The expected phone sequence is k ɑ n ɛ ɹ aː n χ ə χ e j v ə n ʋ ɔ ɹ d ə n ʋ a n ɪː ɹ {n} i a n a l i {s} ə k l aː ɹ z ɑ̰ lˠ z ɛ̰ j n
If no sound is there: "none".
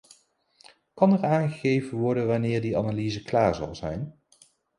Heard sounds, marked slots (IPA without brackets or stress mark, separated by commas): d, z